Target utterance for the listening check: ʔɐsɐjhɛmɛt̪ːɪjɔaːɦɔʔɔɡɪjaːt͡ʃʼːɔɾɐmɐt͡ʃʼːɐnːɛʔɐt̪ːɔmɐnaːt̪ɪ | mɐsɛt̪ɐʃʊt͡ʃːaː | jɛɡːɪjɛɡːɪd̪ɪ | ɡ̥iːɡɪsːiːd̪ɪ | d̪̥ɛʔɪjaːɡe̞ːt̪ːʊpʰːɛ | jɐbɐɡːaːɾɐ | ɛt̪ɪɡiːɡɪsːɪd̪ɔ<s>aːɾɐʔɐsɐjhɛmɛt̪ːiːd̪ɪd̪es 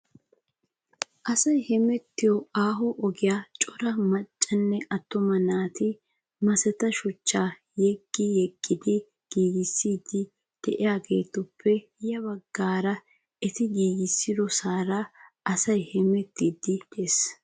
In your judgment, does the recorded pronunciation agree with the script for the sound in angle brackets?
yes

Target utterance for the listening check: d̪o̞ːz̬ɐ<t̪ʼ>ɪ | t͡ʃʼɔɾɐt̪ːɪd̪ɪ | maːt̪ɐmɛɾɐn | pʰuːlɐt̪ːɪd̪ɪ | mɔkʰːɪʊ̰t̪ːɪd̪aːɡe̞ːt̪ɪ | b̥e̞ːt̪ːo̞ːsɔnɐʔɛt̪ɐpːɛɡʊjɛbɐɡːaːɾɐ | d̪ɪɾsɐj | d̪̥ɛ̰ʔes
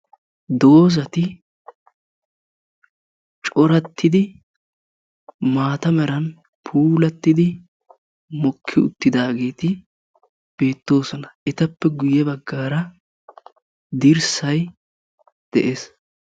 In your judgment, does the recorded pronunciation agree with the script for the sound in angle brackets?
no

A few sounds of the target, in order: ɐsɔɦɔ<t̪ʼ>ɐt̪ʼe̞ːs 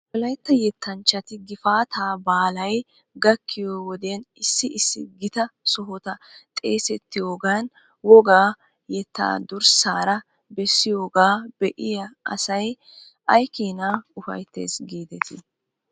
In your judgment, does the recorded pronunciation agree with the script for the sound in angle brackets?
no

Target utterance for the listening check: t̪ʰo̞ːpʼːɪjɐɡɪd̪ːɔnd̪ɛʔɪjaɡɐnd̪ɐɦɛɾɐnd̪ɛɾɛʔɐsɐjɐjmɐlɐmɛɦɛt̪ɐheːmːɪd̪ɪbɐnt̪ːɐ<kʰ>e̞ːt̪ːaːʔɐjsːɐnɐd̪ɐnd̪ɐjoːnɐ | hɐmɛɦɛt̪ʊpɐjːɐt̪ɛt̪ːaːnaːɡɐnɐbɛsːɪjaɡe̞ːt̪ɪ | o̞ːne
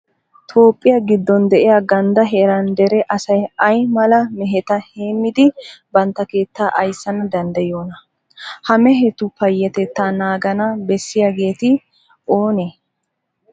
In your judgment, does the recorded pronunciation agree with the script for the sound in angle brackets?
no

